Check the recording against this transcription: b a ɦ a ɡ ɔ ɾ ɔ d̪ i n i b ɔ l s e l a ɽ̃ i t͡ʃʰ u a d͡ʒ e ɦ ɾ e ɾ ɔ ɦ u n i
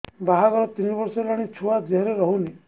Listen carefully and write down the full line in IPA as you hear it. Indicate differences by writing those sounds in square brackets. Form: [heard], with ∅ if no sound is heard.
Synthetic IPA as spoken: b a ɦ a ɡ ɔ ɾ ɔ [t̪] i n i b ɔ [ɾ] s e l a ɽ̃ i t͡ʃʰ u a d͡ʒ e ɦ ɾ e ɾ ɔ ɦ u n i